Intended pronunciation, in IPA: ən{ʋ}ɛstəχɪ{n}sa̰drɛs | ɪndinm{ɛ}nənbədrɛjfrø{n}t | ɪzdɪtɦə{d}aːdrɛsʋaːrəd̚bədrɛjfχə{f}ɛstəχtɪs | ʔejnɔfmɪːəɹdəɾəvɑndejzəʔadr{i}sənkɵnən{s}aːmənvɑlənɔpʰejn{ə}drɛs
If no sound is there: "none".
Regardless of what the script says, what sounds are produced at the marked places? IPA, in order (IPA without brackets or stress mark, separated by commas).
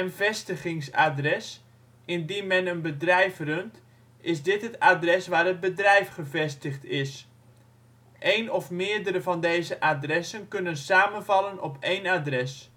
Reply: v, ŋ, ɛ, n, t, v, ɛ, s, a